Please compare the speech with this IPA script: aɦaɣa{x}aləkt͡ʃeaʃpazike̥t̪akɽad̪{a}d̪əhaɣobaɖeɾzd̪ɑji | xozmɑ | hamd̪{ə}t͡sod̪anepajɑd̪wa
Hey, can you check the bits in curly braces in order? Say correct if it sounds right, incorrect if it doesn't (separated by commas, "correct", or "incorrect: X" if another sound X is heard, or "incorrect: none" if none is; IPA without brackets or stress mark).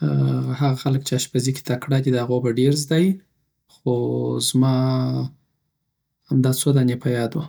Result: correct, incorrect: i, incorrect: ɑ